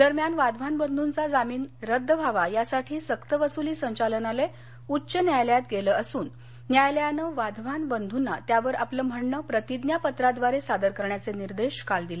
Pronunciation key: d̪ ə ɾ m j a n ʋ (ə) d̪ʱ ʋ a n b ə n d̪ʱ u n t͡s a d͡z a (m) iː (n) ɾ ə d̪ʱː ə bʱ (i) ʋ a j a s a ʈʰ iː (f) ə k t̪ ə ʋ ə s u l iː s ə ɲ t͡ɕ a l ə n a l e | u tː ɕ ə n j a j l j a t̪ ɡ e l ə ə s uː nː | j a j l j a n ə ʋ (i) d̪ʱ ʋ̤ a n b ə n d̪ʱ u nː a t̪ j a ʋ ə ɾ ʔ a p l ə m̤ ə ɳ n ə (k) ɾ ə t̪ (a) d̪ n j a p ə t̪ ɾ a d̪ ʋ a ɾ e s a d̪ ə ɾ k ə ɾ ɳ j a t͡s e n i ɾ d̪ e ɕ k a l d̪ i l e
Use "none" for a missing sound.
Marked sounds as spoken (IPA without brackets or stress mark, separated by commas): a, m, n, a, s, a, p, i